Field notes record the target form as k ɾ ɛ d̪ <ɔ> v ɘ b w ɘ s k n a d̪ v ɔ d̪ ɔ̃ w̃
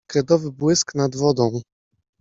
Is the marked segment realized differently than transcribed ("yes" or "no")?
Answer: no